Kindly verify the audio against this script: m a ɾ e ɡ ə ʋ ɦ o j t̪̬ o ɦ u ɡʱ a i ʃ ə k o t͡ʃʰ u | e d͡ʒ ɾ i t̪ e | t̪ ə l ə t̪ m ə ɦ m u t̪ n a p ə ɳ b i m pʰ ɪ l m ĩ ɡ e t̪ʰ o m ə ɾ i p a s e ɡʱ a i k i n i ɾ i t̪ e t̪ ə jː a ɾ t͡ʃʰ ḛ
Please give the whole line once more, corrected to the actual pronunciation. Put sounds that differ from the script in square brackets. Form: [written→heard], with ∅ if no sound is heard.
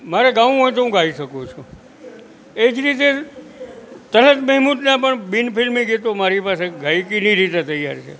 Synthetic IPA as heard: m a ɾ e ɡ [ə→a] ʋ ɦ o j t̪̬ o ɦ [u→ũ] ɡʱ a i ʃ ə k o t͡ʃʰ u | e d͡ʒ ɾ i t̪ e | t̪ ə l ə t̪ m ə ɦ m u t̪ n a p ə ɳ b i [m→n] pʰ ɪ l m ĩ ɡ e [t̪ʰ→t̪] o m [ə→a] ɾ i p a s e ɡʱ a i k i n i ɾ i t̪ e t̪ ə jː a ɾ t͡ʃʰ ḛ